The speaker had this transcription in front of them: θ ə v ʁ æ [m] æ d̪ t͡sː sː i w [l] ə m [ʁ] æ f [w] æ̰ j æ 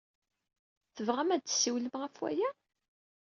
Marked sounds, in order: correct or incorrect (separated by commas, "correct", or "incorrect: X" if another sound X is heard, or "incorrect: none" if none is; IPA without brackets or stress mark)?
correct, correct, correct, correct